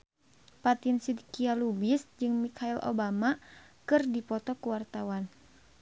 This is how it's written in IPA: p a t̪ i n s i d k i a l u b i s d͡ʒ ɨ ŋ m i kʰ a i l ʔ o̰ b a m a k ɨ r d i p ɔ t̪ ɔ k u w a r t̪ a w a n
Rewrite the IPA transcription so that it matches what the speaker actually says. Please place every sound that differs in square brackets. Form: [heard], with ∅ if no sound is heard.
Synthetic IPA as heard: p a t̪ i n s i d k i a l u b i s d͡ʒ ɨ ŋ m i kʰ a i l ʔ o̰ b a m a k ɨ r d i p ɔ t̪ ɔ k u w a r t̪ a w a n